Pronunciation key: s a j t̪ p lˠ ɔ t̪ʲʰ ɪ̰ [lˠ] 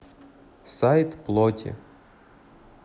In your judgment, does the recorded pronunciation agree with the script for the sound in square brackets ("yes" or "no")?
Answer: no